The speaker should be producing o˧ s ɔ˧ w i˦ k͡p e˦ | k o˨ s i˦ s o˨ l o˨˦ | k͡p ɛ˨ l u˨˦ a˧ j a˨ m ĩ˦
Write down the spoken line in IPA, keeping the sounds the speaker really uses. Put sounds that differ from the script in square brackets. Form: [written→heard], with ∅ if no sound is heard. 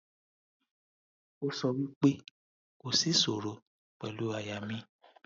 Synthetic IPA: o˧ s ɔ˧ w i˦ k͡p e˦ | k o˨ s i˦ s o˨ [l→ɾ] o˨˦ | k͡p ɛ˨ l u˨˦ a˧ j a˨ m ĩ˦